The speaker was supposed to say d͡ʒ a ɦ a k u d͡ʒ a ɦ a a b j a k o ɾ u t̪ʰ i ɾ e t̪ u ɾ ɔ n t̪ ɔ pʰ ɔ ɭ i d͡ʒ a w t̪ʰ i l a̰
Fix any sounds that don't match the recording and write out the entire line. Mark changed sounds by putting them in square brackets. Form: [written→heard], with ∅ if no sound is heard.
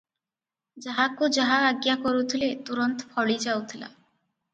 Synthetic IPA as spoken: d͡ʒ a ɦ a k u d͡ʒ a ɦ a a [b→ɡ] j a k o ɾ u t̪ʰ i [ɾ→l] e t̪ u ɾ ɔ n t̪ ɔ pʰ ɔ ɭ i d͡ʒ a w t̪ʰ i l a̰